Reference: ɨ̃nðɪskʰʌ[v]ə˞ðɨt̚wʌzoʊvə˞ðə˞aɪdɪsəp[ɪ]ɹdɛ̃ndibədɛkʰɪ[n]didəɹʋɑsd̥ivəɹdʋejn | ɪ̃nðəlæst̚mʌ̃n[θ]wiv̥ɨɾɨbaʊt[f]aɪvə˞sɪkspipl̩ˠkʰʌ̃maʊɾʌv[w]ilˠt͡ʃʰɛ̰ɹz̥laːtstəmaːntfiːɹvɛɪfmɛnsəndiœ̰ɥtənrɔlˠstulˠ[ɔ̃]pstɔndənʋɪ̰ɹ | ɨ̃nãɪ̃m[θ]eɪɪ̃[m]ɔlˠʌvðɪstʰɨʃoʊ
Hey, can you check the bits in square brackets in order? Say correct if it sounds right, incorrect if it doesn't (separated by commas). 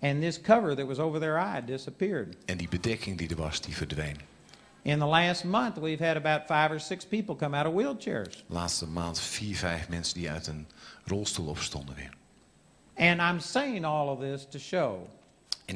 correct, correct, incorrect, correct, correct, correct, incorrect, incorrect, incorrect